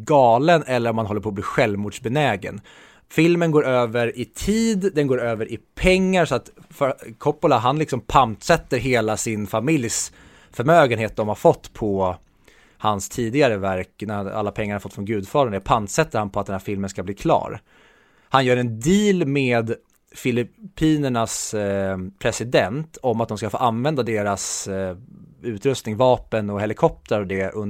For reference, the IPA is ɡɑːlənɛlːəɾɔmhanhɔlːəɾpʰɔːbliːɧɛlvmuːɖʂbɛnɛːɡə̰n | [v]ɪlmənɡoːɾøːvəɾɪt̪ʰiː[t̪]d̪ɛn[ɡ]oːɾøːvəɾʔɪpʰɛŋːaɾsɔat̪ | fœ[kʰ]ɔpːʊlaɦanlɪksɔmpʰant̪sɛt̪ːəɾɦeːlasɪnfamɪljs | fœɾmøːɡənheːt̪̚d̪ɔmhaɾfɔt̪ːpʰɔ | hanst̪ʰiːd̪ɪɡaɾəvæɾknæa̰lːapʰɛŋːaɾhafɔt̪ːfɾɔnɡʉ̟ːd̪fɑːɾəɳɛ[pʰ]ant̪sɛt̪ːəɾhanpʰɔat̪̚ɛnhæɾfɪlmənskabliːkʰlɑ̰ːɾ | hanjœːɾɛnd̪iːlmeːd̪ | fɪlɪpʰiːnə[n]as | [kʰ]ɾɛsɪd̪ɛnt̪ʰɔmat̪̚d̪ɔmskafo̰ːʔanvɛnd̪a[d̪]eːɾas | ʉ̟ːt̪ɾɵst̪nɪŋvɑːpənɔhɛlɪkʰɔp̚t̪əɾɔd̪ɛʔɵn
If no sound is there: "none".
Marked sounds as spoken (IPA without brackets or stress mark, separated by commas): f, d̪, ɡ, kʰ, pʰ, ɳ, pʰ, d̪